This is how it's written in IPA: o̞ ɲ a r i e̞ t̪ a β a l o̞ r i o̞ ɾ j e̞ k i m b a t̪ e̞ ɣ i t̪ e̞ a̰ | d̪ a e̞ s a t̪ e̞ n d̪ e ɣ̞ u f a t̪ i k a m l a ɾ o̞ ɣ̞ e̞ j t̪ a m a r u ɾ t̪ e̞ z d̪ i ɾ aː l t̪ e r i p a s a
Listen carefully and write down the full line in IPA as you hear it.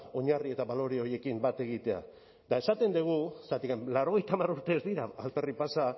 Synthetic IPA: o̞ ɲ a r i e̞ t̪ a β a l o̞ ɾ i o̞ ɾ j e̞ k i m b a t̪ e̞ ɣ i t̪ e̞ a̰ | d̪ a e̞ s a t̪ e̞ n d̪ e ɣ̞ u s a t̪ i k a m l a ɾ o̞ ɣ̞ e̞ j t̪ a m a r u ɾ t̪ e̞ z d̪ i ɾ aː l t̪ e r i p a s a